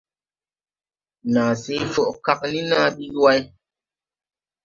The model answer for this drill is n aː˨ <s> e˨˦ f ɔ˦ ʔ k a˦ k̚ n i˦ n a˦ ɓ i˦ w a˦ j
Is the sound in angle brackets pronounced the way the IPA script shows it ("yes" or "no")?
yes